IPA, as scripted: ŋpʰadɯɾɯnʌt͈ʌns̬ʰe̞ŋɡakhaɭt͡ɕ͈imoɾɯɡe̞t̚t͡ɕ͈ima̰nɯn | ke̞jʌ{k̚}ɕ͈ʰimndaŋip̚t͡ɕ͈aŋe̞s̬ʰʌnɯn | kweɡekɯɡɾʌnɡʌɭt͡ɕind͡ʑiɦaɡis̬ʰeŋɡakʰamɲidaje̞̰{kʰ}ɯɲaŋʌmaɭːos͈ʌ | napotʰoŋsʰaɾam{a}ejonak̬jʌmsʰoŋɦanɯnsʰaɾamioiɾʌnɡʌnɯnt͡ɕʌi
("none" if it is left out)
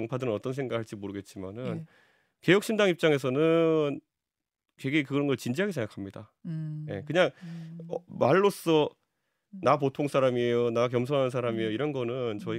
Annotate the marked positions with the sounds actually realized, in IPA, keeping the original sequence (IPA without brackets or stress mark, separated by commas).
k̚, k, i